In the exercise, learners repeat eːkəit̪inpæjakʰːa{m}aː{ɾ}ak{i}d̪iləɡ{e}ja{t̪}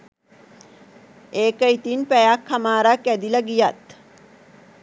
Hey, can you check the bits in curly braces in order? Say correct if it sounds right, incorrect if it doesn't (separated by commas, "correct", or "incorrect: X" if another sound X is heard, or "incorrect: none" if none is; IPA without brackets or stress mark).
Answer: correct, correct, incorrect: æ, incorrect: i, correct